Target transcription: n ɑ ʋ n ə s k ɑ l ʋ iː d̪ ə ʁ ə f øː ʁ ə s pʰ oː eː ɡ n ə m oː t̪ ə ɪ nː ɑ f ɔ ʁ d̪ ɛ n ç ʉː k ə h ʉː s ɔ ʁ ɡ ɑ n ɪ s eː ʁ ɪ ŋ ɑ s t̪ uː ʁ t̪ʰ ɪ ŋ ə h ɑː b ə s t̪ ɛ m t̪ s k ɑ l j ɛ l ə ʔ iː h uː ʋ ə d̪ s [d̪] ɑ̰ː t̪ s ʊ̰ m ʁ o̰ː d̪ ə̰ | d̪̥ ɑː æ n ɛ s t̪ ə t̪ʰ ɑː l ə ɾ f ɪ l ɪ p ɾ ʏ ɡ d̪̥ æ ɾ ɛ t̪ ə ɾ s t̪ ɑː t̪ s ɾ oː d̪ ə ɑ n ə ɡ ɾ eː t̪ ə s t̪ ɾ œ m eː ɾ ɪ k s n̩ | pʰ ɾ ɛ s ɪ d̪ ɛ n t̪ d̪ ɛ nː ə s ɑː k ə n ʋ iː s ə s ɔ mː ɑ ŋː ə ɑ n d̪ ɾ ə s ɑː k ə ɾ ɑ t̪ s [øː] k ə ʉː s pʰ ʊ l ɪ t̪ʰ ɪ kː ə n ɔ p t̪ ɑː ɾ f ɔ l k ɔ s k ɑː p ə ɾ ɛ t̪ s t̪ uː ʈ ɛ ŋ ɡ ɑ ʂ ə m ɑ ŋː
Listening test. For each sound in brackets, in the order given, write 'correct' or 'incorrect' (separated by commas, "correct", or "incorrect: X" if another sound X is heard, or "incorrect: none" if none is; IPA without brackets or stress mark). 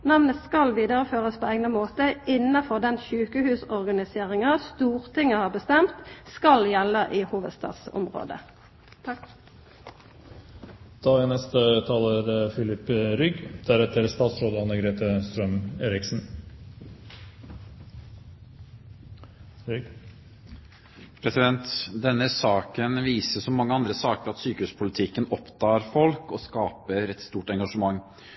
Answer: incorrect: t̪, incorrect: yː